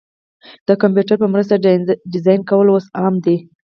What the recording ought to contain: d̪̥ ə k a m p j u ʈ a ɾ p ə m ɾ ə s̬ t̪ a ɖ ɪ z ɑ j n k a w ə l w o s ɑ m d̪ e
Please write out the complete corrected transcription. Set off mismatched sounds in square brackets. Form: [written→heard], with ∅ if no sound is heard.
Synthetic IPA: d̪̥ ə k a m p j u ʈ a ɾ p ə m ɾ ə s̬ t̪ a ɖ ɪ z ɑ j n k a w ə l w o s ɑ m d̪ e

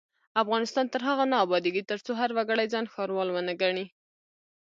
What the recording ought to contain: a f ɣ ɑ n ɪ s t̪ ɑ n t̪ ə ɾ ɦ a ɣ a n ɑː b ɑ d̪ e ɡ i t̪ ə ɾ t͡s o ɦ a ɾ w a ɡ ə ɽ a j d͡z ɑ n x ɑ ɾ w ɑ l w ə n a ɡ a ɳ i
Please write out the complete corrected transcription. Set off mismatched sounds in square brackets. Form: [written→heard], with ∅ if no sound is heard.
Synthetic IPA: a f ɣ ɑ n ɪ s t̪ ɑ n t̪ ə ɾ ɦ a ɣ a n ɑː b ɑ d̪ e ɡ i t̪ ə ɾ t͡s o ɦ a ɾ w a ɡ ə ɽ a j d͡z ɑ n x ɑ ɾ w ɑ l w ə n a ɡ a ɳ i

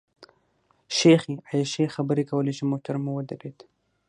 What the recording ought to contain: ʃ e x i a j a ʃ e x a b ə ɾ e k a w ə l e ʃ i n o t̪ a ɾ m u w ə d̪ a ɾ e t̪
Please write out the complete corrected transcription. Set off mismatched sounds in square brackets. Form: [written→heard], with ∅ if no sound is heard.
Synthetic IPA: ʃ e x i a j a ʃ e x a b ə ɾ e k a w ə l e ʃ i [n→m] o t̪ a ɾ m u w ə d̪ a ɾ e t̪

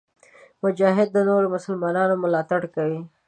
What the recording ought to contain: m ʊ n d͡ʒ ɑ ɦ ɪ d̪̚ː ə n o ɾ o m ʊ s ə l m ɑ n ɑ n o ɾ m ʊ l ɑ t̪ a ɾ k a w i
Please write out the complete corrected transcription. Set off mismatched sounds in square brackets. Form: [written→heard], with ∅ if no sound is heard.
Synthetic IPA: m ʊ [n→∅] d͡ʒ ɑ ɦ ɪ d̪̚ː ə n o ɾ o m ʊ s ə l m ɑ n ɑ n o [ɾ→∅] m ʊ l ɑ t̪ a [ɾ→ɽ] k a w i

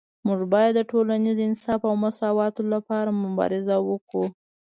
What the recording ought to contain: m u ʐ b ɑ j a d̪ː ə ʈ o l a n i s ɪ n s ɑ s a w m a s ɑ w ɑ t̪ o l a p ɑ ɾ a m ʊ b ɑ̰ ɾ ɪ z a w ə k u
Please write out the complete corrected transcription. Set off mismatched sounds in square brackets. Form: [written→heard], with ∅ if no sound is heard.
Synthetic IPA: m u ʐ b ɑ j a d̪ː ə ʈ o l a n i [s→z] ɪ n s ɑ [s→f] a w m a s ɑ w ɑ t̪ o l a p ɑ ɾ a m ʊ b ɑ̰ ɾ ɪ z a w ə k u

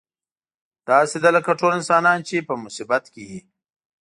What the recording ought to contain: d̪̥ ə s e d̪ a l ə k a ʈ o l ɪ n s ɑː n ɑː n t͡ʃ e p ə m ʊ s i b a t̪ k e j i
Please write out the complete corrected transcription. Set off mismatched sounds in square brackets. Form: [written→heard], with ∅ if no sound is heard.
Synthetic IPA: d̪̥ [ə→ɑ] s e d̪ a l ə k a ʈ o l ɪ n s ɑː n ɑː n t͡ʃ e p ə m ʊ s i b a t̪ k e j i

